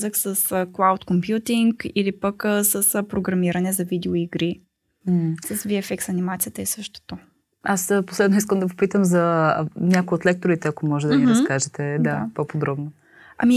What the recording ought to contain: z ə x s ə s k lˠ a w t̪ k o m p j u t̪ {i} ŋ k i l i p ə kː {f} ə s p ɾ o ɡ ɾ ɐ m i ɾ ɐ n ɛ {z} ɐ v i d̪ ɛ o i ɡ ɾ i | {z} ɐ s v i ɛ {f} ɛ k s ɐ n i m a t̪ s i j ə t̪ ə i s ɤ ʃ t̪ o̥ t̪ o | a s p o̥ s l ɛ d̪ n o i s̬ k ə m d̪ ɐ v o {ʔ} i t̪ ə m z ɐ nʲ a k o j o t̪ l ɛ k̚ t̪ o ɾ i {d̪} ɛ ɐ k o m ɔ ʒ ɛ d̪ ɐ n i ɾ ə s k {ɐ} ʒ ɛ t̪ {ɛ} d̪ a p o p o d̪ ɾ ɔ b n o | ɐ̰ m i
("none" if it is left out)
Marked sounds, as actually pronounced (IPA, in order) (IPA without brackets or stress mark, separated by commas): i, s, z, s, f, p, t̪, a, ɛ